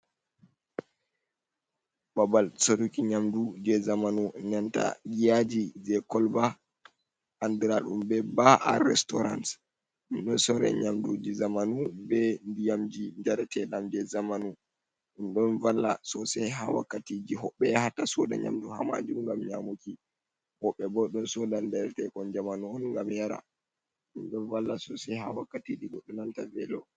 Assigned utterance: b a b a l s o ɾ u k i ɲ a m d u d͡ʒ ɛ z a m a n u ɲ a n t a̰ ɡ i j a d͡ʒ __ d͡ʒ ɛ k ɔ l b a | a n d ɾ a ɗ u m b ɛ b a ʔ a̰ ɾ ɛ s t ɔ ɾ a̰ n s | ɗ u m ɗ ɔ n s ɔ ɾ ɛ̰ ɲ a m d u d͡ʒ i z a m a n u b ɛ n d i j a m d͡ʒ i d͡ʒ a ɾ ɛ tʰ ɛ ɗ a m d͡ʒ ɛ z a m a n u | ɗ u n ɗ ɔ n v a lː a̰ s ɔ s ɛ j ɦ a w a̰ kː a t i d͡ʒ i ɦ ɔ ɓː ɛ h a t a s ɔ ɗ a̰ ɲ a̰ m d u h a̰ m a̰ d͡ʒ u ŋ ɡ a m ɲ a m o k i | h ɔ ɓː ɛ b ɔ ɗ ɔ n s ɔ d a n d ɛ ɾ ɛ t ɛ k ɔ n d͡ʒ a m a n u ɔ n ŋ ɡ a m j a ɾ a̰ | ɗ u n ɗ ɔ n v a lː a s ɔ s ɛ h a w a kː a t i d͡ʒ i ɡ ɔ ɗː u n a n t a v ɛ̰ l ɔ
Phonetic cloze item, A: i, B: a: A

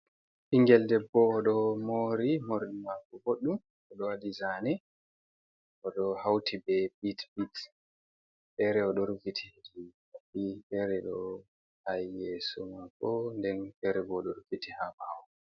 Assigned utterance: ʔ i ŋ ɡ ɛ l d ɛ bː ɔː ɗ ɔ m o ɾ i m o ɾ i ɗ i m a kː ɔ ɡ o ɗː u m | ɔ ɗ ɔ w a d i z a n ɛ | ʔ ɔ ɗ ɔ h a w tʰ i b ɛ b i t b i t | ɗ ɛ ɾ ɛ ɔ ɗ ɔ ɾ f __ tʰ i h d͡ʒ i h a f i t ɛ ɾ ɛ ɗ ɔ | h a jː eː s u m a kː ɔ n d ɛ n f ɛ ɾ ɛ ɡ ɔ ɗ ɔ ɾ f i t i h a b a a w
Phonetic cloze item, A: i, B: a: A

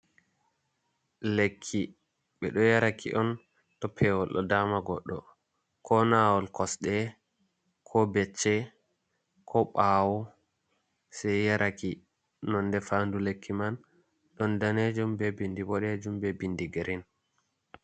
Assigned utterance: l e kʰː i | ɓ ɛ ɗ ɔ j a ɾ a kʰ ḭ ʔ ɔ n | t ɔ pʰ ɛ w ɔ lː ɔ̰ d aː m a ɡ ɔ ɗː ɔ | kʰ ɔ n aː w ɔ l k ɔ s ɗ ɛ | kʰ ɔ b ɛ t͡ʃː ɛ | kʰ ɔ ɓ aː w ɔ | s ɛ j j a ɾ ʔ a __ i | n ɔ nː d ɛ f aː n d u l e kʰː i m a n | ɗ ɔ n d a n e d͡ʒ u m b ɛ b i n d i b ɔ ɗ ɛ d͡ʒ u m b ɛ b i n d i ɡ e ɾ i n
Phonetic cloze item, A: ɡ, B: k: B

